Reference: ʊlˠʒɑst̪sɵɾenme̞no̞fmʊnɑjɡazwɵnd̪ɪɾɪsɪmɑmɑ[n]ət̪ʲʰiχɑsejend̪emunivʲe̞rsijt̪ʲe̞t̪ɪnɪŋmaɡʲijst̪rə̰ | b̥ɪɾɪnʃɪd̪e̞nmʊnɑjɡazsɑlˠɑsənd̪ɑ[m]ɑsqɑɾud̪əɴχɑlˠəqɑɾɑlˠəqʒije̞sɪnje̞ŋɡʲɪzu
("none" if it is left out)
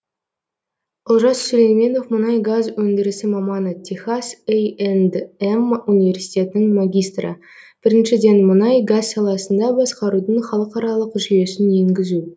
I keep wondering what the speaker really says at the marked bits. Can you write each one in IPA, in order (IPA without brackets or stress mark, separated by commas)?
n, b